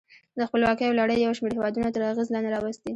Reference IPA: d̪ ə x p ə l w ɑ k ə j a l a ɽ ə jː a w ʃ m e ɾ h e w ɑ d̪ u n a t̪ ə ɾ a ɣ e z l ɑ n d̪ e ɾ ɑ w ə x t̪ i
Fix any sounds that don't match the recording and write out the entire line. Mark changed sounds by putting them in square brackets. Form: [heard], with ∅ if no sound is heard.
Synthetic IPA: d̪ ə x p ə l w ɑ k ə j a l a ɽ ə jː a w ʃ m e ɾ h e w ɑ d̪ u n a t̪ ə ɾ a ɣ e z l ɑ n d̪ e ɾ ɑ w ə [s] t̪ i